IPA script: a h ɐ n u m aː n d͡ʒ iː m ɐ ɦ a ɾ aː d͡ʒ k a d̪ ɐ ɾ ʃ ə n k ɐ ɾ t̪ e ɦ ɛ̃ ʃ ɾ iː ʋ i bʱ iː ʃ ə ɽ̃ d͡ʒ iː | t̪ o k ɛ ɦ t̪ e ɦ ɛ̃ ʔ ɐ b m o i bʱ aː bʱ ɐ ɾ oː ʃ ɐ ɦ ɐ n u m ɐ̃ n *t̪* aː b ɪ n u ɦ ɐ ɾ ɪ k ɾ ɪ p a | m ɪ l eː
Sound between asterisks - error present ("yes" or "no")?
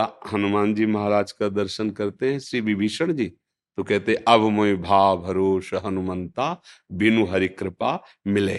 no